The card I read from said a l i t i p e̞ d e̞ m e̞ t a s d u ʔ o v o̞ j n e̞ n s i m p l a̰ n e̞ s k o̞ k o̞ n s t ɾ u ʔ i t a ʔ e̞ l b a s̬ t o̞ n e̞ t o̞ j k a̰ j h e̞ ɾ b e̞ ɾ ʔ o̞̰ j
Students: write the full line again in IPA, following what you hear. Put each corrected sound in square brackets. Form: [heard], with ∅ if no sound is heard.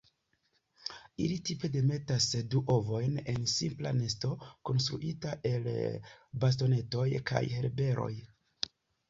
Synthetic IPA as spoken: [i] l i t i p e̞ d e̞ m e̞ t a s d u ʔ o v o̞ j n e̞ n s i m p l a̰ n e̞ s [t] o̞ k o̞ n s t ɾ u ʔ i t a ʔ e̞ l b a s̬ t o̞ n e̞ t o̞ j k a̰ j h e̞ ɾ b e̞ ɾ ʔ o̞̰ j